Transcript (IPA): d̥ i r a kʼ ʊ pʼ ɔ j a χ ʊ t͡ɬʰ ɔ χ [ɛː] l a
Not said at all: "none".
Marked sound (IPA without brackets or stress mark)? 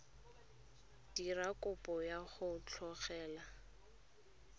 ɛː